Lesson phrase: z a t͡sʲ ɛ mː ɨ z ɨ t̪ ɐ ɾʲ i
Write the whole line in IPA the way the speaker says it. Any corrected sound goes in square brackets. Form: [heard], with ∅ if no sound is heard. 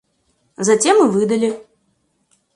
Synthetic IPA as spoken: z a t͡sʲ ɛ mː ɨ [v] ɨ [d̪] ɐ [lʲ] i